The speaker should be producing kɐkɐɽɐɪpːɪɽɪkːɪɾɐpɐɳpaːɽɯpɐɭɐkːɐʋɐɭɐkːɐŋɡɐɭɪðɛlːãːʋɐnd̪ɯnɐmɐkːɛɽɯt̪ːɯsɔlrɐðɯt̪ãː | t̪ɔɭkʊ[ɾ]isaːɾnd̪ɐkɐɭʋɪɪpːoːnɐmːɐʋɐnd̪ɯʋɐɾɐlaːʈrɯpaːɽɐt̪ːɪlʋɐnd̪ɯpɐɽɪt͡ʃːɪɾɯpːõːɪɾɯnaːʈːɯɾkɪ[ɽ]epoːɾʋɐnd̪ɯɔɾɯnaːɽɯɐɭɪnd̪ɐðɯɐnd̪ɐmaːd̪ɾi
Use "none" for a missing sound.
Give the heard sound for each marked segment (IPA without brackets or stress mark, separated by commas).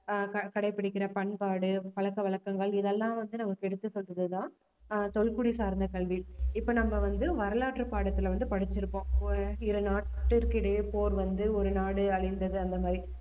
ɽ, ɽ